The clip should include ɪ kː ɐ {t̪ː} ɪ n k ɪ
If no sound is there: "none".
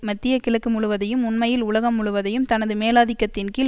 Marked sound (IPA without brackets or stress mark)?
t̪ː